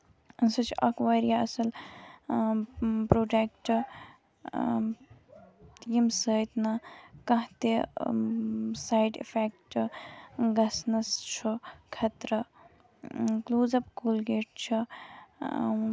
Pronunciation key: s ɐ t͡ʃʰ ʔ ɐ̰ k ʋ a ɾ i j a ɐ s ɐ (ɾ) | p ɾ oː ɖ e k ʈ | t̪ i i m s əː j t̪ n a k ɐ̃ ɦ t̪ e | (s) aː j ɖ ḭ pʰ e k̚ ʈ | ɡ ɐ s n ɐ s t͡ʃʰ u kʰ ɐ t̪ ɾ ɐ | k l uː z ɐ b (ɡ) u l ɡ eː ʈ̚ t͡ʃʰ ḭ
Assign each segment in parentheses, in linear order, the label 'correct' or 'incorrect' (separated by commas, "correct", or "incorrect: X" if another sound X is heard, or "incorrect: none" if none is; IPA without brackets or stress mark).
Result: incorrect: l, correct, incorrect: k